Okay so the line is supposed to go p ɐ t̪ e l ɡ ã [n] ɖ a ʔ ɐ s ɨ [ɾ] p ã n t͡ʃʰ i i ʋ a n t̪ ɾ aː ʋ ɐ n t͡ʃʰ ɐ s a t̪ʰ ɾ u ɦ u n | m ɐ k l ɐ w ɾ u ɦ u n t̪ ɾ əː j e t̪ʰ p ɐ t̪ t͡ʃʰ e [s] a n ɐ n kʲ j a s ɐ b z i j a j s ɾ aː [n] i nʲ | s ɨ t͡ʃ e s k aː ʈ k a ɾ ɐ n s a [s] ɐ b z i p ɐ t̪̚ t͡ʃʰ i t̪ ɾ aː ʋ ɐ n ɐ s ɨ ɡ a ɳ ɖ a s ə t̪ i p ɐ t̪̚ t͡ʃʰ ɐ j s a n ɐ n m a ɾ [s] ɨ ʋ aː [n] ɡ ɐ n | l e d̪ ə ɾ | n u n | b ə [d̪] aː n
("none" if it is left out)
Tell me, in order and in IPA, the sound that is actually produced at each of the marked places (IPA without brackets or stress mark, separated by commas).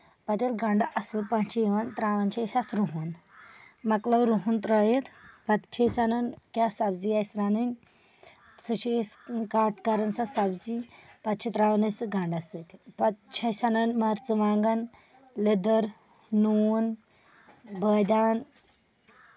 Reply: ɳ, l, s, n, s, t͡s, ŋ, d̪